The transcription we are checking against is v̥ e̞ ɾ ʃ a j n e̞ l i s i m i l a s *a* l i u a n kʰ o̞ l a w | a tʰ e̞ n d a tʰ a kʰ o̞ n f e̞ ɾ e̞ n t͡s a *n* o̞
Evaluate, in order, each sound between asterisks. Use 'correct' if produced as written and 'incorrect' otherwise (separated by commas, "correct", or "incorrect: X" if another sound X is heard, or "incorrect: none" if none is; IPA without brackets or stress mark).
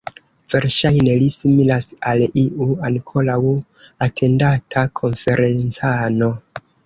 correct, correct